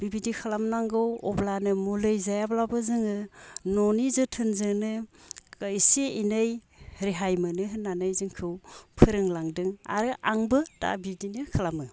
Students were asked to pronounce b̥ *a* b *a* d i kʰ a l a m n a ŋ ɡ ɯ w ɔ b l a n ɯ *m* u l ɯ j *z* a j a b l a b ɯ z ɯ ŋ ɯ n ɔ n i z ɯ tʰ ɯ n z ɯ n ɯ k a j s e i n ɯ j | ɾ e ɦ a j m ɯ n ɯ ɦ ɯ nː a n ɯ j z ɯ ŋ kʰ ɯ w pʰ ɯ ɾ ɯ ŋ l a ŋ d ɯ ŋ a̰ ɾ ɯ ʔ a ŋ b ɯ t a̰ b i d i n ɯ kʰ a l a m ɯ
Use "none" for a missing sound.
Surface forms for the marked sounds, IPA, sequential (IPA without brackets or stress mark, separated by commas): i, i, m, z